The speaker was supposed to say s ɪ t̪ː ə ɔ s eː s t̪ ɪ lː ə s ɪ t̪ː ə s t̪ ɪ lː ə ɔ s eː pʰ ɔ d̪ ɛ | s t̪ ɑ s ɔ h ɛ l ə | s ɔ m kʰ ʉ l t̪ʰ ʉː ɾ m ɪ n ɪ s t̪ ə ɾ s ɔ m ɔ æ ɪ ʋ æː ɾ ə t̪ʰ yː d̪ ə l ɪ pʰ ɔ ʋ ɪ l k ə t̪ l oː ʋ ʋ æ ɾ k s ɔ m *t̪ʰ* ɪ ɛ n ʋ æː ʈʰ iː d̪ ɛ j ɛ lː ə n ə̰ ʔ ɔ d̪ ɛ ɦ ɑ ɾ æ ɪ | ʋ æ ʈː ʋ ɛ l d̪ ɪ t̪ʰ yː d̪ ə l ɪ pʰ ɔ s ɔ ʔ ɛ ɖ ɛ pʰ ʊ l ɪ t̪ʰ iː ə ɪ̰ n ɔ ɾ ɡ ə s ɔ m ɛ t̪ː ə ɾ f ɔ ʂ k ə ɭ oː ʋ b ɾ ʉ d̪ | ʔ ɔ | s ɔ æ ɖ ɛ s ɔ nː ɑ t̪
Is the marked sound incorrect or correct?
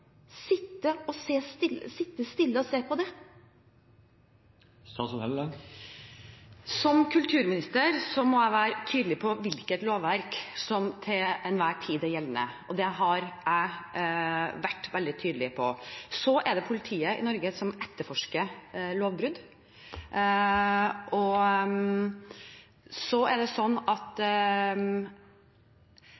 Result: correct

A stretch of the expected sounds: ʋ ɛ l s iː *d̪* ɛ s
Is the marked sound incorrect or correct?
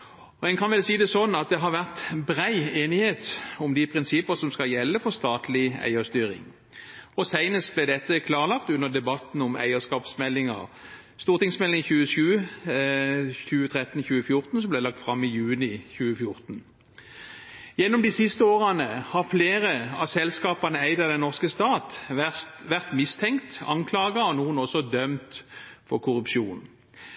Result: correct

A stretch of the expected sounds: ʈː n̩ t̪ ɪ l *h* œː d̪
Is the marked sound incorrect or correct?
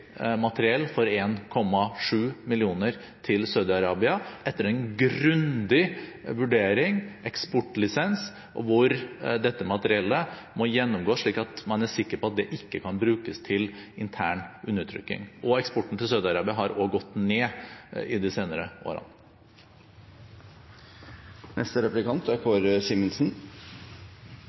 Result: incorrect: s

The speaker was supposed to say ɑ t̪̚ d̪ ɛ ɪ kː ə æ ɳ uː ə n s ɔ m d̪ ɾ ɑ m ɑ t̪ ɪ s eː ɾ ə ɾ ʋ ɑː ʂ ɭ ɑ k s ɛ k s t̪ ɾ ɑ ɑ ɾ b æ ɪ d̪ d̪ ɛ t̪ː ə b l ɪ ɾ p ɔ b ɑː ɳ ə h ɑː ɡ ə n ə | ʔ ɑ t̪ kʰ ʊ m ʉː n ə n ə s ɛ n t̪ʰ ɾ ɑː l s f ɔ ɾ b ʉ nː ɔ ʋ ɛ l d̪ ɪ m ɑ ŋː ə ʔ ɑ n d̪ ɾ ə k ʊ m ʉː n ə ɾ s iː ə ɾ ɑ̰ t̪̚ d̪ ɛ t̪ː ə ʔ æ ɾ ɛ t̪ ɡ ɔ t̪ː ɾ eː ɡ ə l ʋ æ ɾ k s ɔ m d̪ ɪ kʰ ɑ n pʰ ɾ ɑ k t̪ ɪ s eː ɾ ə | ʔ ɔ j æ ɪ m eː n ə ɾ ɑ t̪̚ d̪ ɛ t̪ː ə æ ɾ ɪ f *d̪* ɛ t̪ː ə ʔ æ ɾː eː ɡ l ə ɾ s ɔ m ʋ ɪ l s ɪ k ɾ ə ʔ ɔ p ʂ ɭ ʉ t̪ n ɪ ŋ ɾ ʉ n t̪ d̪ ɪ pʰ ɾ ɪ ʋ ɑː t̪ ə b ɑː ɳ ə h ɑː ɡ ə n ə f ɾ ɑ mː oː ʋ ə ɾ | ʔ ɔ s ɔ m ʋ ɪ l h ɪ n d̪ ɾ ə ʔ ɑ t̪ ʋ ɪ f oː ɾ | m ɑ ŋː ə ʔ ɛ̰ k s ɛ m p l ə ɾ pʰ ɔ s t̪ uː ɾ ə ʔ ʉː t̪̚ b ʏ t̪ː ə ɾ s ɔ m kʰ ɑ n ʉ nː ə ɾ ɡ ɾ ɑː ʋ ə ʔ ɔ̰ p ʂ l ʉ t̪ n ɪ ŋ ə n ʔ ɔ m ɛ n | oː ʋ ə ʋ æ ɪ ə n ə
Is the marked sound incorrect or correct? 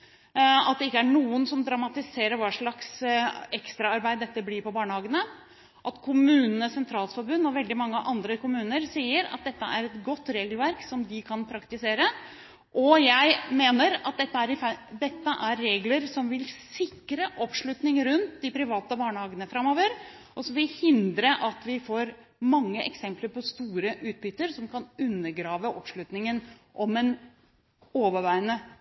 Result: correct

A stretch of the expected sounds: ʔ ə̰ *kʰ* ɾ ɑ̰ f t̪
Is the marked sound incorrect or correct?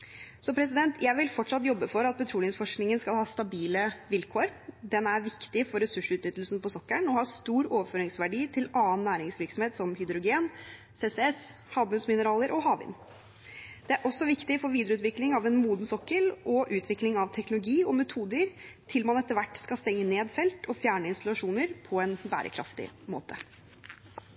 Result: correct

